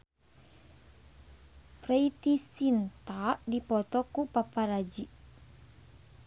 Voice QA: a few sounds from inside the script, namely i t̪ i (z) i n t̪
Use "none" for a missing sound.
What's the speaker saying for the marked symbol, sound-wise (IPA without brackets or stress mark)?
s